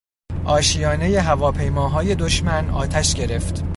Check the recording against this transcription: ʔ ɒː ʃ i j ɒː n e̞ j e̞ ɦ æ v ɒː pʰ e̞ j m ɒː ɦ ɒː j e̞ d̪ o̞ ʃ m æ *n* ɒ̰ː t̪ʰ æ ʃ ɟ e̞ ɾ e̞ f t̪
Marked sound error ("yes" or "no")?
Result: no